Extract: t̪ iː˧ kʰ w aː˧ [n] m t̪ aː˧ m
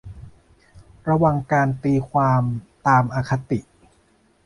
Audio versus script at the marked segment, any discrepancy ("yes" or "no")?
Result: yes